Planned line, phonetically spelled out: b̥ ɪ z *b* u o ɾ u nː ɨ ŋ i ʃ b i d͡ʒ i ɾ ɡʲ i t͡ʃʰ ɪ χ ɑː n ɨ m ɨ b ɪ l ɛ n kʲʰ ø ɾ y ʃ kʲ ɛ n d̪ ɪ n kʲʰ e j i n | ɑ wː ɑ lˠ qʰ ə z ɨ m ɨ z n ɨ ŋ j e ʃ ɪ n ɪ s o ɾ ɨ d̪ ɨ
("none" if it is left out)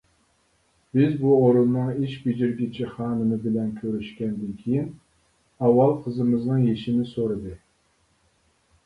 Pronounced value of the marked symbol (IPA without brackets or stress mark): b